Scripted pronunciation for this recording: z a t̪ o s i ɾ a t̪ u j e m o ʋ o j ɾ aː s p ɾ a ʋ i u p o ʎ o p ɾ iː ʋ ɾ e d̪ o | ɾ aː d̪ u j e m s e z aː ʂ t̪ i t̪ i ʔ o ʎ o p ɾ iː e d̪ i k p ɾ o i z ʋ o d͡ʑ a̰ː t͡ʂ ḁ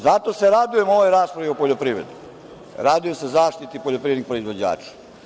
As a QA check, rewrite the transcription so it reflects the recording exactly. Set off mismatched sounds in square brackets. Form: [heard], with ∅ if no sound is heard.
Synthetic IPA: z a t̪ o s [e] ɾ a [d̪] u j e m o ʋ o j ɾ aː s p ɾ a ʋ i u p o ʎ o p ɾ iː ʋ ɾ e d̪ [u] | ɾ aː d̪ u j e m s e z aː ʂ t̪ i t̪ i [p] o ʎ o p ɾ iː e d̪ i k p ɾ o i z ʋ o d͡ʑ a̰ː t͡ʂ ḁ